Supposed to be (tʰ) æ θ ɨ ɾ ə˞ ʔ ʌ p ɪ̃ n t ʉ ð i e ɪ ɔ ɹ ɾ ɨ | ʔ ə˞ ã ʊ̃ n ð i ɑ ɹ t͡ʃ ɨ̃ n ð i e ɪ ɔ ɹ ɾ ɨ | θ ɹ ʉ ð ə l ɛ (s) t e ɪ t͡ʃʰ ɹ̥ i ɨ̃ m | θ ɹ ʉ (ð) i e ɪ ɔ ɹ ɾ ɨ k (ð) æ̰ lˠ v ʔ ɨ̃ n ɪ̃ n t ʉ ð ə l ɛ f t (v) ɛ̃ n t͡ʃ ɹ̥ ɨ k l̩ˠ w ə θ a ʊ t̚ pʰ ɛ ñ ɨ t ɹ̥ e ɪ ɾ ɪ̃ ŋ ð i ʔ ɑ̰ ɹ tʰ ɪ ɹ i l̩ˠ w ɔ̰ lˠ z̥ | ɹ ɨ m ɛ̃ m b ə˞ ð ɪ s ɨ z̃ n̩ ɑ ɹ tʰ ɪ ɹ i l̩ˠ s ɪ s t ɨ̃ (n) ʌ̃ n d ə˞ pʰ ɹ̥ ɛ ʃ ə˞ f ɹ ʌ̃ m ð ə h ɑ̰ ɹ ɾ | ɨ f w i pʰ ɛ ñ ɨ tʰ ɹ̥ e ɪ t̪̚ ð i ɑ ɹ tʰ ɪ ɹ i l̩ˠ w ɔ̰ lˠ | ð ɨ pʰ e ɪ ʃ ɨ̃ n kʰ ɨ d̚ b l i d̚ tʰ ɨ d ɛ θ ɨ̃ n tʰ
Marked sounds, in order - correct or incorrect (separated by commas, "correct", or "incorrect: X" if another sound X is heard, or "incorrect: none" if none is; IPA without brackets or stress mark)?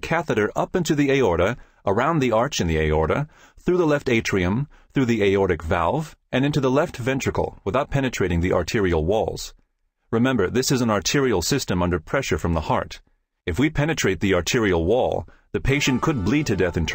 incorrect: kʰ, incorrect: f, correct, incorrect: v, correct, incorrect: m